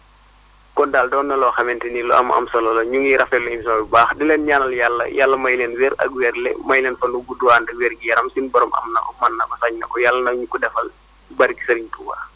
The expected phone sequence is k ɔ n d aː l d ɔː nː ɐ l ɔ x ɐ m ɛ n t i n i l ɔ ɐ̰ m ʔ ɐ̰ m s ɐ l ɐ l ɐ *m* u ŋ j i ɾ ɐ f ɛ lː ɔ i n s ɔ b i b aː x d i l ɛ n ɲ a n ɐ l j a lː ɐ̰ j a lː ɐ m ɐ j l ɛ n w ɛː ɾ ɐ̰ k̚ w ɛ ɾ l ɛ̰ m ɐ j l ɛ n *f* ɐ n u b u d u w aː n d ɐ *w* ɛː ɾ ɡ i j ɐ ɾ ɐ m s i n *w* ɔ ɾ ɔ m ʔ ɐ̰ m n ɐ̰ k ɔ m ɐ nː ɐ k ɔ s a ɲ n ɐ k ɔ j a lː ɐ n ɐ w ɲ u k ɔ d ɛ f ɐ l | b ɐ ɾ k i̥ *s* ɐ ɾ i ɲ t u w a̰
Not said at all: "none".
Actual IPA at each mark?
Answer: ɲ, f, w, b, s

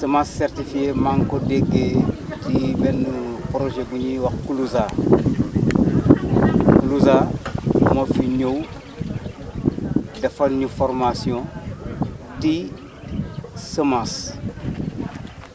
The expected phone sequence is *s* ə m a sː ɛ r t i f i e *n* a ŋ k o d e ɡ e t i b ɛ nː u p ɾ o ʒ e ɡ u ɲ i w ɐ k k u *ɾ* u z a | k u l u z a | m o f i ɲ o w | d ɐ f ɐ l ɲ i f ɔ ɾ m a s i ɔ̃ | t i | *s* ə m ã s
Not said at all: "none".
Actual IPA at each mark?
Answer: s, m, l, s

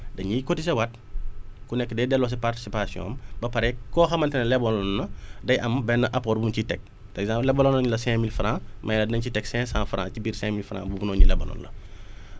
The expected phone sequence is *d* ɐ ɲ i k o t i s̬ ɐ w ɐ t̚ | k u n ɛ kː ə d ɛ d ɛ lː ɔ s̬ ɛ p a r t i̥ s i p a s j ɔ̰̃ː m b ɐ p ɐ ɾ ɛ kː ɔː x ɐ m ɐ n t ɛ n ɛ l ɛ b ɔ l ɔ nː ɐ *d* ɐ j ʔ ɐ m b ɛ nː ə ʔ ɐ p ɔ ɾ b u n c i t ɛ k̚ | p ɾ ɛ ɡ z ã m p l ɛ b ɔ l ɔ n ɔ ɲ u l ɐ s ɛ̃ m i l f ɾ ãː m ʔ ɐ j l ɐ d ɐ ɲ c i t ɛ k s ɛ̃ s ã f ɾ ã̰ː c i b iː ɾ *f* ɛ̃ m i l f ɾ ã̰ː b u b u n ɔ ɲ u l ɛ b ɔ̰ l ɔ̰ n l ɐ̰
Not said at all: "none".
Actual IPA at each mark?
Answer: d, d, s

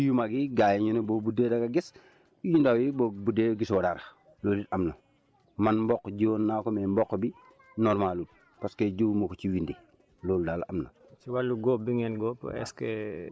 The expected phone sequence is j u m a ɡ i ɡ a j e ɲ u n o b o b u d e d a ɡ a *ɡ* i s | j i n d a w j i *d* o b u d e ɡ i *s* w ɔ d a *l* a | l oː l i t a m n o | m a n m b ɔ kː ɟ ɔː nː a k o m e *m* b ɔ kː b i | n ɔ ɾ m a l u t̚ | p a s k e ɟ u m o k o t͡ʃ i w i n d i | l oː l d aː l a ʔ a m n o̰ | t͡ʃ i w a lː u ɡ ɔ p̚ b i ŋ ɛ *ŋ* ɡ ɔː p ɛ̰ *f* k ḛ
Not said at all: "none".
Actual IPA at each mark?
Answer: ɡ, b, s, ɾ, m, n, s

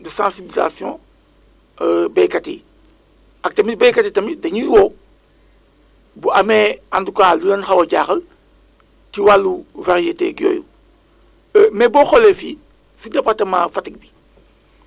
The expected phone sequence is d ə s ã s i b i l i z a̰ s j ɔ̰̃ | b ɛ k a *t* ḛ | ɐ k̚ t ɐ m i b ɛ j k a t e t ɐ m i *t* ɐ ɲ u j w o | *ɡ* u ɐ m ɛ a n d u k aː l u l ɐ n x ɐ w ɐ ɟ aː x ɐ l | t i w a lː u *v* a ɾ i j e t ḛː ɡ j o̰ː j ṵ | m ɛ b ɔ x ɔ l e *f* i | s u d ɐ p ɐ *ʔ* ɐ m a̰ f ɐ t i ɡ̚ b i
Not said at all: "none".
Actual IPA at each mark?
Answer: t, d, b, v, f, t

